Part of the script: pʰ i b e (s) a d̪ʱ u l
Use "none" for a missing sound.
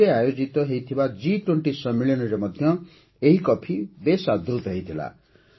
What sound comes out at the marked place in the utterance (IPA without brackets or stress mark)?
s